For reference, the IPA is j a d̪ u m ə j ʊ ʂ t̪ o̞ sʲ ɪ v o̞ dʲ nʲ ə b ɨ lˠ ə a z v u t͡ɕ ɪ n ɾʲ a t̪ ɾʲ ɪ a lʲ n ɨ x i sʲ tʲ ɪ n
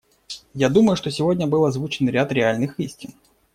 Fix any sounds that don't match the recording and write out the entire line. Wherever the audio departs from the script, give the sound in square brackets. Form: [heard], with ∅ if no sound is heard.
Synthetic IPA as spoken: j a d̪ u m ə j ʊ ʂ t̪ o̞ sʲ ɪ v o̞ dʲ nʲ ə b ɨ lˠ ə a z v u t͡ɕ ɪ n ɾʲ a t̪ ɾʲ ɪ a lʲ n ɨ x i sʲ tʲ ɪ n